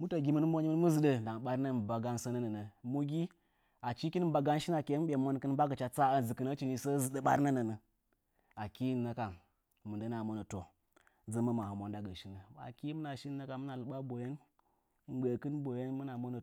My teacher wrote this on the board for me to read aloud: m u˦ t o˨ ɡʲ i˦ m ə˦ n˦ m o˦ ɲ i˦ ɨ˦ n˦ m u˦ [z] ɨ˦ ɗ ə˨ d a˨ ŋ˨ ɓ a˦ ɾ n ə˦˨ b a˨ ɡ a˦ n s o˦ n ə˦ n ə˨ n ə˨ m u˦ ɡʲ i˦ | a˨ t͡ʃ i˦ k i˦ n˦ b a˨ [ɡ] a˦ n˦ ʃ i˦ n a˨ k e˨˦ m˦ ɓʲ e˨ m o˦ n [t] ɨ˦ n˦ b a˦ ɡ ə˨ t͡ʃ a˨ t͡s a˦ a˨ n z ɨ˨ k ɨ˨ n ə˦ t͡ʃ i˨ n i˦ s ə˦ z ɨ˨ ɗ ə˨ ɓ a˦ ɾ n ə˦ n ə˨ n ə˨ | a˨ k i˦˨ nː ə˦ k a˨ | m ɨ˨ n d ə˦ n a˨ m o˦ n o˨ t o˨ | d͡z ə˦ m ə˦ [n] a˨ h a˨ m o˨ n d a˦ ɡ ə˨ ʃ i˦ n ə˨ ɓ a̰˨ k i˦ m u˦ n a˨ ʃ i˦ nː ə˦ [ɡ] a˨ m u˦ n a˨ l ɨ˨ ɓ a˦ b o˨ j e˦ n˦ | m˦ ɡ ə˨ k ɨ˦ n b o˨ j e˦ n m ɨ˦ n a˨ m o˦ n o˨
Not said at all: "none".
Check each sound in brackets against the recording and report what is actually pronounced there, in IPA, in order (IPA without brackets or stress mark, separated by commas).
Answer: z, ɡ, k, m, k